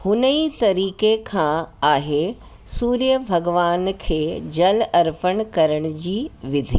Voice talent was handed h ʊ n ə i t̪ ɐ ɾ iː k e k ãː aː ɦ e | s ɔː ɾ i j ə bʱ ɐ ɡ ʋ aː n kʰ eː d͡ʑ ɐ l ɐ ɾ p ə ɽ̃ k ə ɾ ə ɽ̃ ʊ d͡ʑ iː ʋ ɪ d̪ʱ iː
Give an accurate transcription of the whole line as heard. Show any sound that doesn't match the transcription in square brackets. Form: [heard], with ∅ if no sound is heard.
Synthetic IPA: h ʊ n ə i t̪ ɐ ɾ iː k e [kʰ] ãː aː ɦ e | s [uː] ɾ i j ə bʱ ɐ ɡ ʋ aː n kʰ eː d͡ʑ ɐ l ɐ ɾ p ə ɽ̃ k [ɐ] ɾ ə ɽ̃ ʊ d͡ʑ iː ʋ ɪ d̪ʱ iː